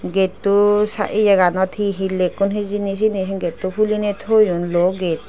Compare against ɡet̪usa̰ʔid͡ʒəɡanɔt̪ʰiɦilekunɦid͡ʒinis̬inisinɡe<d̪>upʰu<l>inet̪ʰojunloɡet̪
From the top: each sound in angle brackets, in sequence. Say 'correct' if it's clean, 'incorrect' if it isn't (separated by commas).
incorrect, correct